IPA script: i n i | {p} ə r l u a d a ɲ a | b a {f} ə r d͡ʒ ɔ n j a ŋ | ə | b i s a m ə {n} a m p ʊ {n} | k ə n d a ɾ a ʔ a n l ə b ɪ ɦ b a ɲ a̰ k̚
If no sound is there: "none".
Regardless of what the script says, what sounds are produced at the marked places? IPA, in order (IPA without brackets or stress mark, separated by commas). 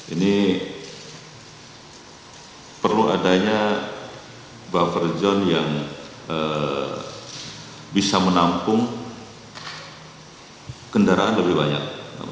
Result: p, f, n, ŋ